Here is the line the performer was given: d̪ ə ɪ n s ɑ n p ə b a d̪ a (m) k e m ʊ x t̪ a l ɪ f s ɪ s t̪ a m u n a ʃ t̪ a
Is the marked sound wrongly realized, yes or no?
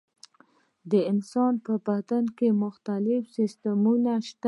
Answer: yes